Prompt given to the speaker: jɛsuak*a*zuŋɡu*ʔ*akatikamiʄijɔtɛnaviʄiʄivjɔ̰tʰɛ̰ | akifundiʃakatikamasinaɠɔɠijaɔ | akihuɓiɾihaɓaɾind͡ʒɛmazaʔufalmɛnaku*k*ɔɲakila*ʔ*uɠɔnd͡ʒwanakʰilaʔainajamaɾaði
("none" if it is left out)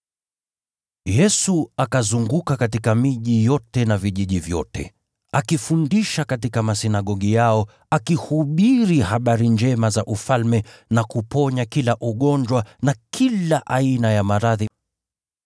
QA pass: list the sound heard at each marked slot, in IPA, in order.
a, k, p, ʔ

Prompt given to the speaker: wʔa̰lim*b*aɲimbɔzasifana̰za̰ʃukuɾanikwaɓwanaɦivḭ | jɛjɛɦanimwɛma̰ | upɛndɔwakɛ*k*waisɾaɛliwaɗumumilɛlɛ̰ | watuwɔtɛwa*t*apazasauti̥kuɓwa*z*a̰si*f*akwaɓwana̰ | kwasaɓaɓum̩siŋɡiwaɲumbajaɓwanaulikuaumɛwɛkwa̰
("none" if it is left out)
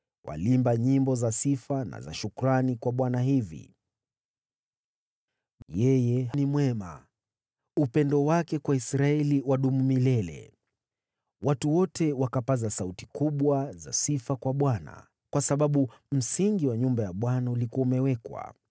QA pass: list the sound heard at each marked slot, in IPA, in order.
b, k, k, z, f

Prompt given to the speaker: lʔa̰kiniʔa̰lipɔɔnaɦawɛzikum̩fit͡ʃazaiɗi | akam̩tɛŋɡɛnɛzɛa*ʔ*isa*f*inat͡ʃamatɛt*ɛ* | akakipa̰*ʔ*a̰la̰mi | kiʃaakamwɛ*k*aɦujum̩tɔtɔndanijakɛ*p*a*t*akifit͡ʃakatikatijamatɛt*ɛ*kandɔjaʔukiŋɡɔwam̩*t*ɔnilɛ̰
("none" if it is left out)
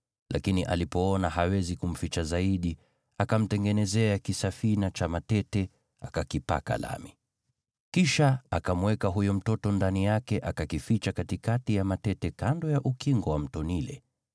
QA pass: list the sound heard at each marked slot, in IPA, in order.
k, f, ɛ, k, k, ʔ, k, ɛ, t

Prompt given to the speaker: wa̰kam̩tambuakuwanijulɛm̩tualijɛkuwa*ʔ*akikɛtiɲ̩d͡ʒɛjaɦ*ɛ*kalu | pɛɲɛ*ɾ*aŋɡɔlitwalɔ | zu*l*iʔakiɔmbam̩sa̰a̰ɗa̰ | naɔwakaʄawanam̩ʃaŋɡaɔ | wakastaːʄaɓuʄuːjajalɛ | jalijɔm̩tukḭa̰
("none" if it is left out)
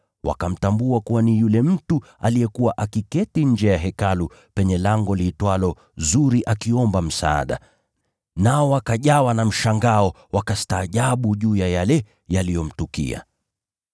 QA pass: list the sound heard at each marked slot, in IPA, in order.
ʔ, ɛ, l, ɾ

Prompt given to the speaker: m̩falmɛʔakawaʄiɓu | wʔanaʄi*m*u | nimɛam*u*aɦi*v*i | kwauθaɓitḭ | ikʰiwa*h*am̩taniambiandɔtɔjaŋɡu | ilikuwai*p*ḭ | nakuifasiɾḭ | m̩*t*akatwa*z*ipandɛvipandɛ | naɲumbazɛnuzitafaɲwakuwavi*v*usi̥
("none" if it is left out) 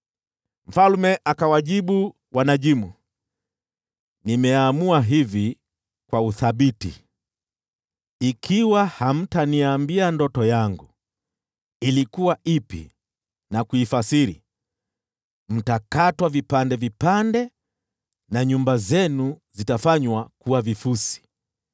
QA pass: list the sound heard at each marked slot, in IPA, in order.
m, u, v, h, p, t, v, f

